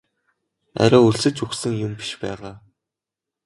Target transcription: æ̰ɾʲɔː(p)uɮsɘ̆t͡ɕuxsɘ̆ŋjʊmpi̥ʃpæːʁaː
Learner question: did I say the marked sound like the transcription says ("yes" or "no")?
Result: no